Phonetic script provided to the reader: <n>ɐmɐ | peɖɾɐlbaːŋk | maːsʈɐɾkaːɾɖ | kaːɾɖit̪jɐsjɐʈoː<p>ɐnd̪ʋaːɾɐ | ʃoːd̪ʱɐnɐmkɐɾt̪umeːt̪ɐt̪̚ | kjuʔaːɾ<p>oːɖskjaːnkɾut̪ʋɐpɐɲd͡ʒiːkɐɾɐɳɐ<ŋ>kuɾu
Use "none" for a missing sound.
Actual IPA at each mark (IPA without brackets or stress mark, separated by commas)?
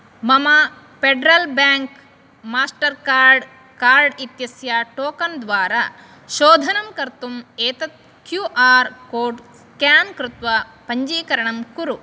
m, k, k, m